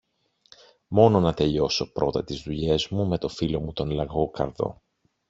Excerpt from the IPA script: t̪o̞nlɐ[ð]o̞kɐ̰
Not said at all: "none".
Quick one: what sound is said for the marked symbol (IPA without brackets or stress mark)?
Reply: ɣ